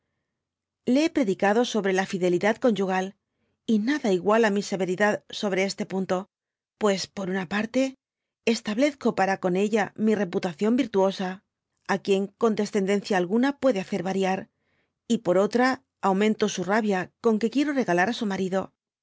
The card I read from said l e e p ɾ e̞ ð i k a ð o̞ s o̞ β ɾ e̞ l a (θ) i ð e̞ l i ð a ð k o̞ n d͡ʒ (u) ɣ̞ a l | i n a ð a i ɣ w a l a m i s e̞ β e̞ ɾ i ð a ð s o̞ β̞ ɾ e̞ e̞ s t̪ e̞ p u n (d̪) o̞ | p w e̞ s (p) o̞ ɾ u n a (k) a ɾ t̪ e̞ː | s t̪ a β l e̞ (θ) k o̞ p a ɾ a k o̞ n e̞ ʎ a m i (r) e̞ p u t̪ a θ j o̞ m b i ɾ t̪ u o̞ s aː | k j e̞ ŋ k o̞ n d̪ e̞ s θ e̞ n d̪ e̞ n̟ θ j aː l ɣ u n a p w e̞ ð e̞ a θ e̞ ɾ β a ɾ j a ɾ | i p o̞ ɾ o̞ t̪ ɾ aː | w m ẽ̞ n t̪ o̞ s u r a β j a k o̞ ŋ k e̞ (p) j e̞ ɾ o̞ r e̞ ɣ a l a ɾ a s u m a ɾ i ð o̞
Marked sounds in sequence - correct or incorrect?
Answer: incorrect, correct, incorrect, correct, incorrect, correct, correct, incorrect

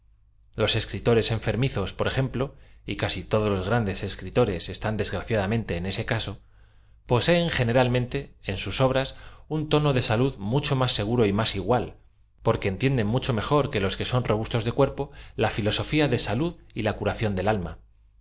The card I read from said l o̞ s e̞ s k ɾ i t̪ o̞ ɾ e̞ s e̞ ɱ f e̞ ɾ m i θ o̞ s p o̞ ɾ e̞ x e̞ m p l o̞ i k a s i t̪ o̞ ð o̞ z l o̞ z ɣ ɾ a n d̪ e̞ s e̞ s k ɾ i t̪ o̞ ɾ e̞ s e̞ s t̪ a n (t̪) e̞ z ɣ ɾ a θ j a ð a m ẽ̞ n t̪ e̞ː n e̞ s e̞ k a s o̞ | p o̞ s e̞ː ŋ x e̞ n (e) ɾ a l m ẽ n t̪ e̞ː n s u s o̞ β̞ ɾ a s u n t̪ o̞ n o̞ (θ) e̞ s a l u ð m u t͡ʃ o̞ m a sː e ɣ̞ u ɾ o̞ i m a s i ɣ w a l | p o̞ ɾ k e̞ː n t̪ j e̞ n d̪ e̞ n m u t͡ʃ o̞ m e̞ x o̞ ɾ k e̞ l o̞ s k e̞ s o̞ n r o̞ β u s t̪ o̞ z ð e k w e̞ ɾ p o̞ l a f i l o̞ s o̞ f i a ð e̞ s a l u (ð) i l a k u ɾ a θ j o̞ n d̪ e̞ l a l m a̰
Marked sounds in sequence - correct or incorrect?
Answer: incorrect, correct, incorrect, correct

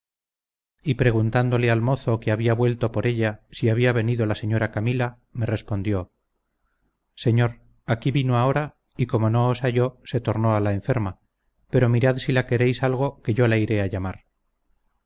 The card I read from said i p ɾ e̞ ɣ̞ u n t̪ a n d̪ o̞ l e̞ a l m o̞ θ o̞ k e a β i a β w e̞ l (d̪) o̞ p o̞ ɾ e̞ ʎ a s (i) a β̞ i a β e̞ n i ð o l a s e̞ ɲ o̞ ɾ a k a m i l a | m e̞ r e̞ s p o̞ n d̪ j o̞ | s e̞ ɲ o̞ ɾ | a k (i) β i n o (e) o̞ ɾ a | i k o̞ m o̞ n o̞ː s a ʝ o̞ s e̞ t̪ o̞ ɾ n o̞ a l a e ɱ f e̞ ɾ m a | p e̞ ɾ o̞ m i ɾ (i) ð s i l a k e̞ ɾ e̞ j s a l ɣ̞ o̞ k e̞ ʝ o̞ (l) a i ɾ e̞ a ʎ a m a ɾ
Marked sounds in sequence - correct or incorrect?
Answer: incorrect, correct, correct, incorrect, incorrect, correct

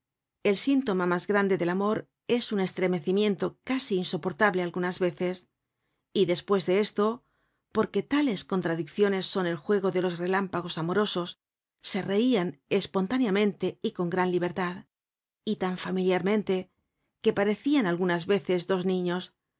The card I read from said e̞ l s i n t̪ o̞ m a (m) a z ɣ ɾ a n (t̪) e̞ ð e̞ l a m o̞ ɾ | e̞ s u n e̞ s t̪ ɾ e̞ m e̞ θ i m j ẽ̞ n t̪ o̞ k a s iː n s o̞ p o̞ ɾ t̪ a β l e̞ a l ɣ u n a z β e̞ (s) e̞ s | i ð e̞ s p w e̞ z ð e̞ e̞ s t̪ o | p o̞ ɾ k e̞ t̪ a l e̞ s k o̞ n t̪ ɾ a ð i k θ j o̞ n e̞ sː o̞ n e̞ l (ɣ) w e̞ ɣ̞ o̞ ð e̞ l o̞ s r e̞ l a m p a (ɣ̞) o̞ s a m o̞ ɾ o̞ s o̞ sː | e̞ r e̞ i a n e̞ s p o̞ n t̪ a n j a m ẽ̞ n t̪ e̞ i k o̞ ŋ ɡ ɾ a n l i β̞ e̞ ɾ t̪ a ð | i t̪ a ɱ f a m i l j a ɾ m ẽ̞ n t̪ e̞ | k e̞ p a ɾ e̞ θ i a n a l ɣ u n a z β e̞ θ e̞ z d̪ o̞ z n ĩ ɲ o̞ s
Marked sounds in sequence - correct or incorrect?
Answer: correct, incorrect, incorrect, incorrect, correct

